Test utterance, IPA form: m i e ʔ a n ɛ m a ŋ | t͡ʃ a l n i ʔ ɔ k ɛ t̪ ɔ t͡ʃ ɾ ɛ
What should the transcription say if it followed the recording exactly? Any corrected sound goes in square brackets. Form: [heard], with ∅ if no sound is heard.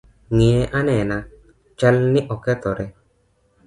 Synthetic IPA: [ŋ] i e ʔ a n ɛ [n] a [∅] | t͡ʃ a l n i ʔ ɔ k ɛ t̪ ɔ [∅] ɾ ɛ